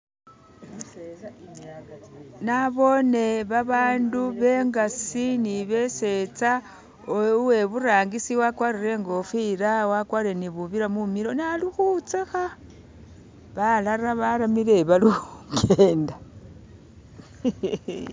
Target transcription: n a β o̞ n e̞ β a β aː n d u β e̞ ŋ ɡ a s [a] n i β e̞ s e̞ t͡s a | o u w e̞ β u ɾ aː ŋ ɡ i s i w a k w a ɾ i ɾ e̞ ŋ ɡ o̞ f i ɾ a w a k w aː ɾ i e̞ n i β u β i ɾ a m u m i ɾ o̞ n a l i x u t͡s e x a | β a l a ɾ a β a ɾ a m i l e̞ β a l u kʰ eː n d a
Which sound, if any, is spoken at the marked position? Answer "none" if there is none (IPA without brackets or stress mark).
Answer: i